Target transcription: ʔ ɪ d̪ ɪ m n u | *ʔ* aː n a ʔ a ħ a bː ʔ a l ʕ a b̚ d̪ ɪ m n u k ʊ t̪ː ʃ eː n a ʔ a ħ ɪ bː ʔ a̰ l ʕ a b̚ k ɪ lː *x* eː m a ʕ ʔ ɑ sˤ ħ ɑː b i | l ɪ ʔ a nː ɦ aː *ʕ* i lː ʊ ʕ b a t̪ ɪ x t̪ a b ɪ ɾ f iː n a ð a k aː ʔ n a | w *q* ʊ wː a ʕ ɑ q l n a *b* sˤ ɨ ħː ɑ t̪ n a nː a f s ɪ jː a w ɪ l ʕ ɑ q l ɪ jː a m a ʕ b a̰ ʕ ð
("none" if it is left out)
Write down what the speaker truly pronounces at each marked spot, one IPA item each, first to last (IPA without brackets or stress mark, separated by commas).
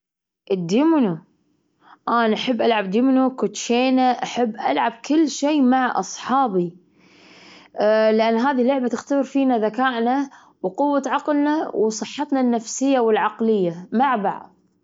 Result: ʔ, ʃ, ð, q, w